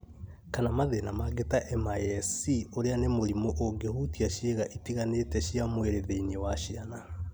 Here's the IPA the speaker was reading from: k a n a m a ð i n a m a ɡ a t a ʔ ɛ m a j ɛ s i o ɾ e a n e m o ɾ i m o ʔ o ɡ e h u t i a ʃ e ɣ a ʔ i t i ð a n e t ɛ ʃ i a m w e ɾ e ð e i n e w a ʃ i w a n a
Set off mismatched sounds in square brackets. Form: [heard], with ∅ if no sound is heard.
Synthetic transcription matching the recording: k a n a m a ð [e] n a m a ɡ [e] t a ʔ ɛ m a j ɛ s i o ɾ e a n e m o ɾ i m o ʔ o ɡ e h u t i a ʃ e ɣ a ʔ i t i [ɣ] a n e t ɛ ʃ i a m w e ɾ e ð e i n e w a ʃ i [∅] a n a